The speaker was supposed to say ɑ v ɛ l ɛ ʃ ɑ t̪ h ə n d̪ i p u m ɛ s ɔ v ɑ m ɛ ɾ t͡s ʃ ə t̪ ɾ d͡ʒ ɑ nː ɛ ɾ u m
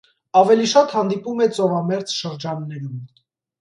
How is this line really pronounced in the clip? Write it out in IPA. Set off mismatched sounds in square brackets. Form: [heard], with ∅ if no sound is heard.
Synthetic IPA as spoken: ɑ v ɛ l [i] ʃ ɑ t̪ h [ɑ] n d̪ i p u m ɛ [t͡s] ɔ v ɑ m ɛ ɾ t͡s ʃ ə [∅] ɾ d͡ʒ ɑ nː ɛ ɾ u m